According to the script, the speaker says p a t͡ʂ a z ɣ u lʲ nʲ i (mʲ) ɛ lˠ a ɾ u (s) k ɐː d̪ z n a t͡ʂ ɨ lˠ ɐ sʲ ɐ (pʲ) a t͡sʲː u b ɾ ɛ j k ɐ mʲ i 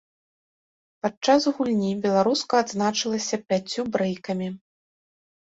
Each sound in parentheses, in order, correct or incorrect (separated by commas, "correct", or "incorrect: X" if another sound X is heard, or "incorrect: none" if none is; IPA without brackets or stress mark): incorrect: bʲ, correct, correct